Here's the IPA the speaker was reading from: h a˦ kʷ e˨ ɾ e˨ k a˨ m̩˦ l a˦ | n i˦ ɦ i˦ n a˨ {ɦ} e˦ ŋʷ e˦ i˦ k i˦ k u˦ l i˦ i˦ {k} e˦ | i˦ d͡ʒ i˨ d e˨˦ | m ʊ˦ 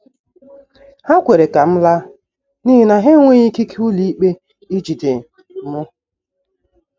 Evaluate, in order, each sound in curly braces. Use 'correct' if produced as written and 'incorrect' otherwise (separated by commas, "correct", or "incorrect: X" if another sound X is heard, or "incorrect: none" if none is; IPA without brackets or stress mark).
correct, incorrect: k͡p